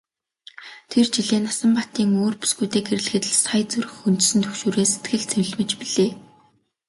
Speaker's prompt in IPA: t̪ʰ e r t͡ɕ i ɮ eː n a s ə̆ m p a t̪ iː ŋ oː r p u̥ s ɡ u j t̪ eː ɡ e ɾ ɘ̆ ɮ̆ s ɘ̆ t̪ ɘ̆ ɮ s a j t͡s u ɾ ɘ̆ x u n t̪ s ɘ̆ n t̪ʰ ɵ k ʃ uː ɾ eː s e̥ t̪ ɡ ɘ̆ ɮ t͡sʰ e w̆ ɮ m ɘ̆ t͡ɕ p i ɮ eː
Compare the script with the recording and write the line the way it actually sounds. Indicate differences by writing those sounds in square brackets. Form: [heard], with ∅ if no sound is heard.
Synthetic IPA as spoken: t̪ʰ e r t͡ɕ i ɮ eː n a s ə̆ m p a t̪ iː ŋ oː r p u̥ s ɡ u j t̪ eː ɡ e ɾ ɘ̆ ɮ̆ [x] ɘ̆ t̪ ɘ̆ ɮ s a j t͡s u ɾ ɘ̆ x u n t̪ s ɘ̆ n t̪ʰ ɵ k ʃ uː ɾ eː s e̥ t̪ ɡ ɘ̆ ɮ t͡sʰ e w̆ ɮ m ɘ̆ t͡ɕ p i ɮ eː

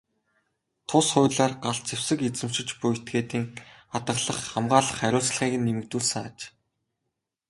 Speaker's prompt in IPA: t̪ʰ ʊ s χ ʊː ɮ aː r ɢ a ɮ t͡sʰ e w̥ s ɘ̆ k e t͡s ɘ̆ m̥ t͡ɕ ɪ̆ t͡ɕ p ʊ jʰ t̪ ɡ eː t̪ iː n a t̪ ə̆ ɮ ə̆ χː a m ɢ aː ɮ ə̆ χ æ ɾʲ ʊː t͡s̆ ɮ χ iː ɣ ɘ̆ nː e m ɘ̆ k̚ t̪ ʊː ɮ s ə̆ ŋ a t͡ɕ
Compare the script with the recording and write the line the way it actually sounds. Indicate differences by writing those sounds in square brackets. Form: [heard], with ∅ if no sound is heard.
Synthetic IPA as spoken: t̪ʰ ʊ s χ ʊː ɮ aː r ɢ a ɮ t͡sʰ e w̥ s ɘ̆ k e t͡s ɘ̆ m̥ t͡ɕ ɪ̆ t͡ɕ p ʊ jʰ t̪ ɡ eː t̪ iː [ŋ] a t̪ ə̆ ɮ ə̆ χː a m ɢ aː ɮ ə̆ χ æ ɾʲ ʊː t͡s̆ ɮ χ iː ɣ ɘ̆ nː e m ɘ̆ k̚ t̪ [uː] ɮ s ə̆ ŋ a t͡ɕ

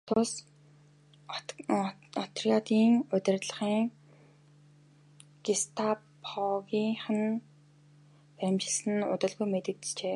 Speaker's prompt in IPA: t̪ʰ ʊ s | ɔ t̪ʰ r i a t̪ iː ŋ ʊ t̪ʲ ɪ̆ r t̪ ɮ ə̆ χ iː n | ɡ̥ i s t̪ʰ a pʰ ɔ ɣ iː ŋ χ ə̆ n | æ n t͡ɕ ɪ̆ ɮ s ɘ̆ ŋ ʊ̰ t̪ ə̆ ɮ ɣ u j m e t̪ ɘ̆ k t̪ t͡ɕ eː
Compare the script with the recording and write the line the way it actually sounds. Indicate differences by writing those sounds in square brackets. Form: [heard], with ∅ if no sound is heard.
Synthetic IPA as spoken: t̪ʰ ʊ s | ɔ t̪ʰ r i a t̪ iː ŋ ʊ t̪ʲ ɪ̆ r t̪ ɮ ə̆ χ iː [ŋ] | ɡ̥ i s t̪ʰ a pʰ ɔ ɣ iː ŋ χ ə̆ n | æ [m] t͡ɕ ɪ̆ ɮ s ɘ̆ [n] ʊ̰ t̪ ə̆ ɮ ɣ u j m e t̪ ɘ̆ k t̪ t͡ɕ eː

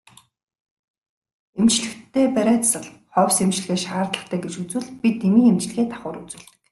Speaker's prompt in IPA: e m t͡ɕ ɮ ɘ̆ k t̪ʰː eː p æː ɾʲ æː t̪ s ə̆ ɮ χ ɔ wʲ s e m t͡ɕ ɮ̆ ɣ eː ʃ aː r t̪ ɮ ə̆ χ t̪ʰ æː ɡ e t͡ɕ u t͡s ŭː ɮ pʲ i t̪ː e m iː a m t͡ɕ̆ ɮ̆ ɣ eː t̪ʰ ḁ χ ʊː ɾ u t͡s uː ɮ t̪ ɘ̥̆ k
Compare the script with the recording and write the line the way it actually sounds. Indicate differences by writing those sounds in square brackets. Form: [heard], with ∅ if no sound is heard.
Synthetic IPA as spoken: e m t͡ɕ ɮ ɘ̆ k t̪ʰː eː p [æ] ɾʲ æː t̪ s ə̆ ɮ χ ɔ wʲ s e m t͡ɕ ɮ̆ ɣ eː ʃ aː r t̪ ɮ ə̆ χ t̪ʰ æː ɡ e t͡ɕ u t͡s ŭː ɮ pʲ i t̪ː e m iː [e] m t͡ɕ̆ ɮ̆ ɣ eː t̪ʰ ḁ χ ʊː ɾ u t͡s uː ɮ t̪ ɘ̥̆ k

